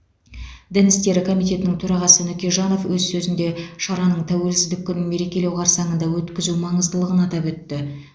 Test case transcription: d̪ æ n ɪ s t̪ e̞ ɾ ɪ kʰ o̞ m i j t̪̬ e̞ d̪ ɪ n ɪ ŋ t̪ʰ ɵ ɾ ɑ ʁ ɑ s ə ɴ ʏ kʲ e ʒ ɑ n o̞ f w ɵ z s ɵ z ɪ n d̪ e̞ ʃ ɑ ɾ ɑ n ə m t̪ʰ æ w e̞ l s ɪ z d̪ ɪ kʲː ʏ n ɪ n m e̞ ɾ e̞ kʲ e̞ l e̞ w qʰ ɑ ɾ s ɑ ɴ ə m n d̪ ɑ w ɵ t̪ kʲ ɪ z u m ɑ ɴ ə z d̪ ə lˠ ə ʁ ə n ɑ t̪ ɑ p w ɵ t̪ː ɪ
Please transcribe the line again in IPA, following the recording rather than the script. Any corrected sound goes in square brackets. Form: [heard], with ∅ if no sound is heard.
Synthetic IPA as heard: d̪ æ n ɪ s t̪ e̞ ɾ ɪ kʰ o̞ m i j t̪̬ e̞ [t̪] ɪ n ɪ ŋ t̪ʰ ɵ ɾ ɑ ʁ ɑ s ə [n] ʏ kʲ e ʒ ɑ n o̞ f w ɵ z s ɵ z ɪ n d̪ e̞ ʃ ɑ ɾ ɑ n ə [ɴ] t̪ʰ æ w e̞ l s ɪ z d̪ ɪ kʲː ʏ n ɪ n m e̞ ɾ e̞ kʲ e̞ l e̞ w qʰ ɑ ɾ s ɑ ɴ ə [∅] n d̪ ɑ w ɵ t̪ kʲ ɪ z u m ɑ ɴ ə z d̪ ə lˠ ə ʁ ə n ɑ t̪ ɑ p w ɵ t̪ː ɪ

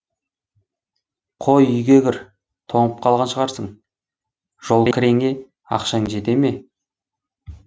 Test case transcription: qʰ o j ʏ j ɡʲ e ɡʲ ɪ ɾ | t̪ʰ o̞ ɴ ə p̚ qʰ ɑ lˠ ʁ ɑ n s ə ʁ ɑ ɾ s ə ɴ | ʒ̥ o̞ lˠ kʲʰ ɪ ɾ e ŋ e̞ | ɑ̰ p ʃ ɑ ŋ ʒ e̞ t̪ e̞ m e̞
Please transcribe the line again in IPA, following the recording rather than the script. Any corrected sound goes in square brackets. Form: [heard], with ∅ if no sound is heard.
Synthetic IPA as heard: qʰ o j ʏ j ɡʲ e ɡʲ ɪ ɾ | t̪ʰ o̞ ɴ ə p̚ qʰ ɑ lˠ ʁ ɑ n [ʃ] ə ʁ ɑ ɾ s ə ɴ | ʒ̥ o̞ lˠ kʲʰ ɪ ɾ e ŋ e̞ | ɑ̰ [q] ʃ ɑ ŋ ʒ e̞ t̪ e̞ m e̞

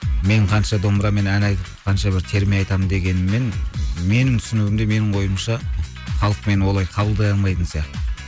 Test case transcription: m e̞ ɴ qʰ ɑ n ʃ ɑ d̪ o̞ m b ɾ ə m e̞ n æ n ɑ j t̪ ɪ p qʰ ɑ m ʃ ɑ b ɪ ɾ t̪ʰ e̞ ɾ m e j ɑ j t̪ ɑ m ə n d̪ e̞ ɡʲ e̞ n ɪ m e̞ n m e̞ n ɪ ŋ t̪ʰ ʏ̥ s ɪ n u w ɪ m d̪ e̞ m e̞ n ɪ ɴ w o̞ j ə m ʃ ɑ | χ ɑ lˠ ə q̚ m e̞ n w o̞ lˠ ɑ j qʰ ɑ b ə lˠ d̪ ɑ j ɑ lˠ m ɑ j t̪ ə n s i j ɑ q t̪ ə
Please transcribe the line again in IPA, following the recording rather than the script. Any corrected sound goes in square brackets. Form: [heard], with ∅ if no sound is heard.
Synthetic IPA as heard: m e̞ ɴ qʰ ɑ n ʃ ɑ d̪ o̞ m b ɾ [ɑ] m e̞ n æ n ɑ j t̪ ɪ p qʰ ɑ [n] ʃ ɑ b ɪ ɾ t̪ʰ e̞ ɾ m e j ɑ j t̪ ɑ m ə n d̪ e̞ ɡʲ e̞ n ɪ m e̞ n m e̞ n ɪ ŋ t̪ʰ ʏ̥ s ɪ n u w ɪ m d̪ e̞ m e̞ n ɪ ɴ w o̞ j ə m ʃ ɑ | χ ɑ lˠ ə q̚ m e̞ n w o̞ lˠ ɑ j qʰ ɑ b ə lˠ d̪ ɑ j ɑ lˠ m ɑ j t̪ ə n s i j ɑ q t̪ ə

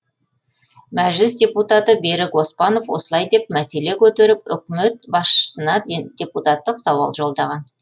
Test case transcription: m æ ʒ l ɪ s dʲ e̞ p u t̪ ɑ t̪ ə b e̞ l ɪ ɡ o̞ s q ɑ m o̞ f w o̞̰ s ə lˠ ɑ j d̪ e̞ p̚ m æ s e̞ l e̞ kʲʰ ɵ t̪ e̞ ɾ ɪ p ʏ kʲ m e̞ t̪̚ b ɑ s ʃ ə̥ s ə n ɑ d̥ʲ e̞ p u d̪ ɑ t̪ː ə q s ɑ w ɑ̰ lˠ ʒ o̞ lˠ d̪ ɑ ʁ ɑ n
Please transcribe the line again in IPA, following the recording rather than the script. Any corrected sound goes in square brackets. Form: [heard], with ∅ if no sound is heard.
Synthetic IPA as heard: m æ ʒ l ɪ s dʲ e̞ p u t̪ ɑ t̪ ə b e̞ [ɾ] ɪ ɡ o̞ s [p] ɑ [n] o̞ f w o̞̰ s ə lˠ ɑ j d̪ e̞ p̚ m æ s e̞ l e̞ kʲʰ ɵ t̪ e̞ ɾ ɪ p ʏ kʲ m e̞ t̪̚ b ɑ s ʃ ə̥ s ə n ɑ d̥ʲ e̞ p u [t̪] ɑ t̪ː ə q s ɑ w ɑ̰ lˠ ʒ o̞ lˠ d̪ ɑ ʁ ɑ n

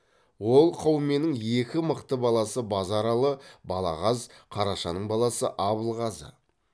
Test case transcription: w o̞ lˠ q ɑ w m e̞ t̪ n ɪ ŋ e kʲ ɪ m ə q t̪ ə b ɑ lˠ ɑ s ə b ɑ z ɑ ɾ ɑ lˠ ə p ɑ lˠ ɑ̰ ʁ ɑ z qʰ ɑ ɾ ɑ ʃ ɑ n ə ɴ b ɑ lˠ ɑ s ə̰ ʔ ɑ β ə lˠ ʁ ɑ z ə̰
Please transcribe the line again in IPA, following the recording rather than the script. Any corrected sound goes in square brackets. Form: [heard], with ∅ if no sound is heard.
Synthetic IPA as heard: w o̞ lˠ [qʰ] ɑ w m e̞ [∅] n ɪ ŋ e kʲ ɪ m ə q t̪ ə b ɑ lˠ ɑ s ə b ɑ z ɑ ɾ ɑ lˠ ə [b] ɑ lˠ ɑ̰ ʁ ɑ z qʰ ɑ ɾ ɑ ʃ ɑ n ə ɴ b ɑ lˠ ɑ s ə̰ ʔ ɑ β ə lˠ ʁ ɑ z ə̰

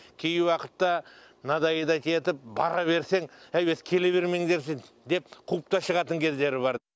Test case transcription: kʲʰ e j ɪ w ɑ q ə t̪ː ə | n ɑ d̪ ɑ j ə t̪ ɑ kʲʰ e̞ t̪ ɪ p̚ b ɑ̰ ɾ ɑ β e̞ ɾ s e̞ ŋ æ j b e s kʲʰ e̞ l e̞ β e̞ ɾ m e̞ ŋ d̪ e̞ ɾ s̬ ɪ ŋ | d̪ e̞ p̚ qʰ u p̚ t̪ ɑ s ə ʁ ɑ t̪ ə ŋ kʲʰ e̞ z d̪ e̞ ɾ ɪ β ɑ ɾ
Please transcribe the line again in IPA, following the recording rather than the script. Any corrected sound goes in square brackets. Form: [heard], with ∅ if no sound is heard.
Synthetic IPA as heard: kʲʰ e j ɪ w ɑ q ə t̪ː [ɑ] | n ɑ d̪ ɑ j ə [d̪] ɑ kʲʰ e̞ t̪ ɪ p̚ b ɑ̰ ɾ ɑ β e̞ ɾ s e̞ ŋ æ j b e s kʲʰ e̞ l e̞ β e̞ ɾ m e̞ ŋ d̪ e̞ ɾ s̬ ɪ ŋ | d̪ e̞ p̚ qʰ u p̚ t̪ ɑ [ʃ] ə ʁ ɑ t̪ ə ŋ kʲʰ e̞ z d̪ e̞ ɾ ɪ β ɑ ɾ

